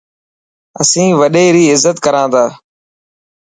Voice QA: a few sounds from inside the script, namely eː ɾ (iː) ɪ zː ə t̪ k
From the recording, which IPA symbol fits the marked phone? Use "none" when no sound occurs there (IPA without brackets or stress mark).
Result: iː